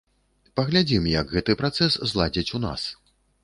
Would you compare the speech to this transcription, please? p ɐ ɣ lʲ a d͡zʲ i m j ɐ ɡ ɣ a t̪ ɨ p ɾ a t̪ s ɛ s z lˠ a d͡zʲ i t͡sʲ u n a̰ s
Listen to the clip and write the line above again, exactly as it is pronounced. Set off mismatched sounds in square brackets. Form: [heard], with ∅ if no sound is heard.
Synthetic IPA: p ɐ ɣ lʲ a d͡zʲ i m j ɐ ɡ ɣ [ɛ] t̪ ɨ p ɾ a t̪ s ɛ s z lˠ a d͡zʲ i t͡sʲ u n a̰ s